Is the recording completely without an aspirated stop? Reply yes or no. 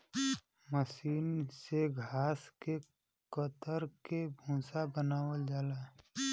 yes